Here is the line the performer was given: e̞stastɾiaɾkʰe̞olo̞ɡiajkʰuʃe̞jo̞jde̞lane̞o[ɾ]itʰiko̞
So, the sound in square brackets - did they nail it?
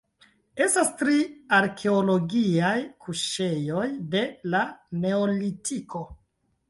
no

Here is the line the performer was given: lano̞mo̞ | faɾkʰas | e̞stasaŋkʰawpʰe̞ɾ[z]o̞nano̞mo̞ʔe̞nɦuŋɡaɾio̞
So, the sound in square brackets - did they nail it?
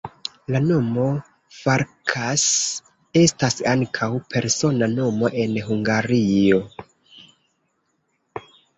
no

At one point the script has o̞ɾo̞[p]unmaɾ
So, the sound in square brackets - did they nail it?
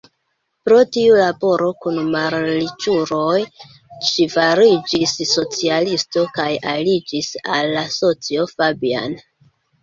no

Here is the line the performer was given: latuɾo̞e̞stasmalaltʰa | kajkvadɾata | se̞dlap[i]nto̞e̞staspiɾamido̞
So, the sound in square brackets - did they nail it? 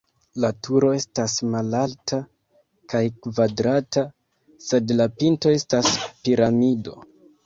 yes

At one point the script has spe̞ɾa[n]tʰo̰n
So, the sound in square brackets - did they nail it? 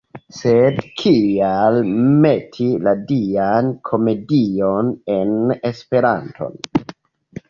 yes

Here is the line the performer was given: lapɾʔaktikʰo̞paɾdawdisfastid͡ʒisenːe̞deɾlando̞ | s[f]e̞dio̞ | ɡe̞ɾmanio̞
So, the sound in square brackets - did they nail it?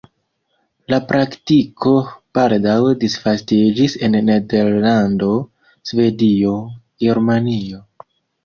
no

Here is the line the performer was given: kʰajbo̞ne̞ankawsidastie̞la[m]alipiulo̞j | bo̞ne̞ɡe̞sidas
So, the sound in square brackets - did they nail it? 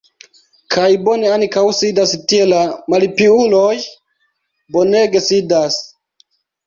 yes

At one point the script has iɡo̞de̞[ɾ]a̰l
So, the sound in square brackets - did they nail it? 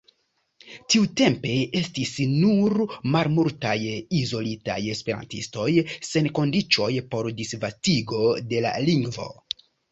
no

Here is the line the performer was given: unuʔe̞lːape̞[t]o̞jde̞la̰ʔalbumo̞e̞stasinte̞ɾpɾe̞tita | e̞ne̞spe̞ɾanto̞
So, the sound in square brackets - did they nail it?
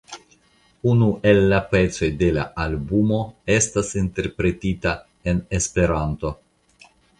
no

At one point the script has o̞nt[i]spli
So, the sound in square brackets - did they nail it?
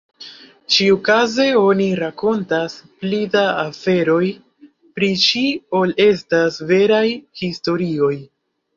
no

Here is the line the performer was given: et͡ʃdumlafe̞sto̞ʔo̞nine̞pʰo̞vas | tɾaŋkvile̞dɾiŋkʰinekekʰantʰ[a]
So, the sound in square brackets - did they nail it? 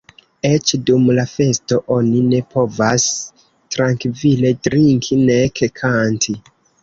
no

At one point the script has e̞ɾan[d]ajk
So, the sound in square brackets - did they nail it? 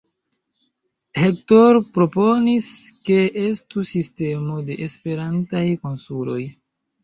no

